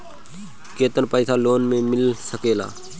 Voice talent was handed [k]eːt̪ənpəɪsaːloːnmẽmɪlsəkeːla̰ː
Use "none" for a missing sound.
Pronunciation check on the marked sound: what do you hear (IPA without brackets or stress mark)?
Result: k